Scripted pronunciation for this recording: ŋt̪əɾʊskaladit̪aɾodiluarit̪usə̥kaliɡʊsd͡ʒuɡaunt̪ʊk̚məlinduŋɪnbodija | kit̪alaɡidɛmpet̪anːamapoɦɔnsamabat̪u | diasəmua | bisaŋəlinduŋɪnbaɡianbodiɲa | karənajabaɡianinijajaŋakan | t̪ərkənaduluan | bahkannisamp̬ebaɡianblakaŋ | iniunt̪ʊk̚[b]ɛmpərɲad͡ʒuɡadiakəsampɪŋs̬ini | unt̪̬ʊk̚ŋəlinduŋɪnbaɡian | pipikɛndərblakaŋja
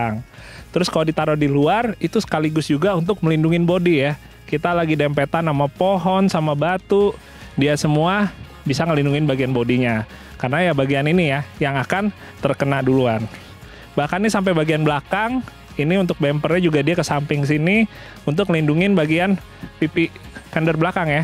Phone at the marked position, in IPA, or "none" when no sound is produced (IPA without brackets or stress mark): b